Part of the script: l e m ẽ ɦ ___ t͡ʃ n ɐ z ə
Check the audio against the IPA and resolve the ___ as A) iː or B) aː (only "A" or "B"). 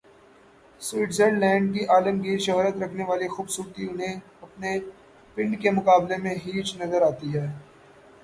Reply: A